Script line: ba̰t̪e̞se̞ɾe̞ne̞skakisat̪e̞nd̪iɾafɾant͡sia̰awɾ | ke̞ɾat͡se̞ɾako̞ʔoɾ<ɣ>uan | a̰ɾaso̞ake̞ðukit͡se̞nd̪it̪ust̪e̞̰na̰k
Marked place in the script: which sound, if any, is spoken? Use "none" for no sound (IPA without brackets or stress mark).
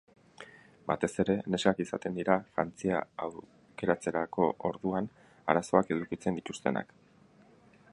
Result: ð